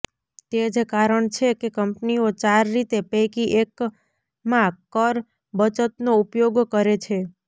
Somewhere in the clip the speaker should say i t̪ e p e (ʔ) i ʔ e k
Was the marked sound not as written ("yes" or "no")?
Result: yes